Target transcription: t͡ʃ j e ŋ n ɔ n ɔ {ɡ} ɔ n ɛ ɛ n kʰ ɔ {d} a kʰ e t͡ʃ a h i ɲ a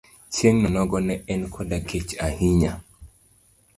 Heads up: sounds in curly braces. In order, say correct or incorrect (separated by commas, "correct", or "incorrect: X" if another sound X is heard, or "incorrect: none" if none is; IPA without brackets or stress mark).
correct, correct